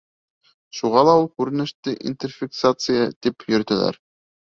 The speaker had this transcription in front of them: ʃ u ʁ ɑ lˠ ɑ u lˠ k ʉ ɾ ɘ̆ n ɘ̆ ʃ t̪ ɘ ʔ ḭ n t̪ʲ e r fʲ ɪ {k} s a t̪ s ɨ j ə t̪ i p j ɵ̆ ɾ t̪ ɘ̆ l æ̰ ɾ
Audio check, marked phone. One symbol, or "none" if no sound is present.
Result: k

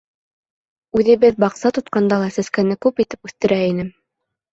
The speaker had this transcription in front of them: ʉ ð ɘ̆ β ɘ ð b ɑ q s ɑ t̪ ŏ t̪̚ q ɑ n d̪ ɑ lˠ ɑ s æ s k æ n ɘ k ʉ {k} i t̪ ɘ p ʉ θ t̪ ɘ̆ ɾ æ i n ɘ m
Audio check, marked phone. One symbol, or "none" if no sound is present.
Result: p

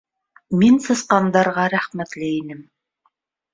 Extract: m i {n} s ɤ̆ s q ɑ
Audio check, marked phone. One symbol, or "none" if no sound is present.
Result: n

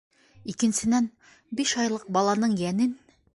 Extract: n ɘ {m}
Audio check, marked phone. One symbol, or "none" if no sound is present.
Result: n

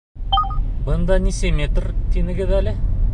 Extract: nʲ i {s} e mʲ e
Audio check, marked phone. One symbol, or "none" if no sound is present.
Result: s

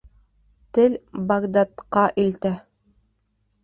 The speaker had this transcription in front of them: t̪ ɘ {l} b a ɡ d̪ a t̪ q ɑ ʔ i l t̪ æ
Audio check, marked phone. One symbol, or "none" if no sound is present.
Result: l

